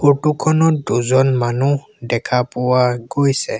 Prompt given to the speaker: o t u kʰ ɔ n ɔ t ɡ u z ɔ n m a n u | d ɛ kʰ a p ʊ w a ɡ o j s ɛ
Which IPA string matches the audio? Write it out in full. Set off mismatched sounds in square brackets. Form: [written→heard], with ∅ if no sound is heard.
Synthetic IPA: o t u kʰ ɔ n ɔ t [ɡ→d] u z ɔ n m a n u | d ɛ kʰ a p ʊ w a ɡ o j s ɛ